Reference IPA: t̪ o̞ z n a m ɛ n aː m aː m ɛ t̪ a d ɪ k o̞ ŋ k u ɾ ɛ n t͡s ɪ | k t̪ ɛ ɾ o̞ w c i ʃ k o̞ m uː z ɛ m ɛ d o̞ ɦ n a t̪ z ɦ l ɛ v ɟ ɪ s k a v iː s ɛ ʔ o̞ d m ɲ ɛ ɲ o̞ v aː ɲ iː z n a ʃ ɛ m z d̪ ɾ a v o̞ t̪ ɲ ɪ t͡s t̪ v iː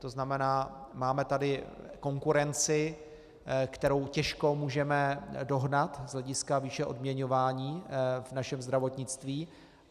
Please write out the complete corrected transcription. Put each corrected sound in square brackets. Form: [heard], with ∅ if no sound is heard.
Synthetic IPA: t̪ o̞ z n a m ɛ n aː m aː m ɛ t̪ a d ɪ k o̞ ŋ k u ɾ ɛ n t͡s ɪ | k t̪ ɛ ɾ o̞ w c [ɛ] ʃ k o̞ m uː [ʒ] ɛ m ɛ d o̞ ɦ n a t̪ z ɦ l ɛ [∅] ɟ ɪ s k a v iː [ʃ] ɛ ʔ o̞ d m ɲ ɛ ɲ o̞ v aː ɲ iː [v] n a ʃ ɛ m z d̪ ɾ a v o̞ t̪ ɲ ɪ t͡s t̪ v iː